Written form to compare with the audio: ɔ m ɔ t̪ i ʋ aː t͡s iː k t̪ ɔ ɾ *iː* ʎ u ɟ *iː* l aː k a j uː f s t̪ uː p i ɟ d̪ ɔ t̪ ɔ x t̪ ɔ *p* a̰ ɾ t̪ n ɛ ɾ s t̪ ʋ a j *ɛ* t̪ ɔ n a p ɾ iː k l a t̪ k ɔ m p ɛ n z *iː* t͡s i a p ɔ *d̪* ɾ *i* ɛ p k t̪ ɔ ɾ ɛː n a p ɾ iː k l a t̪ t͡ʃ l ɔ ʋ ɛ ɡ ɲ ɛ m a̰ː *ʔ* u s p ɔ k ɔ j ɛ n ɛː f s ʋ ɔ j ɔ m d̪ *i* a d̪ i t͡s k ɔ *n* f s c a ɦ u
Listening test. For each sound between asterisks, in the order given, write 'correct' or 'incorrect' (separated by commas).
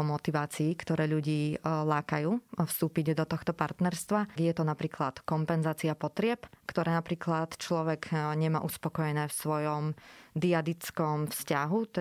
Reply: incorrect, correct, correct, correct, incorrect, incorrect, incorrect, correct, correct, incorrect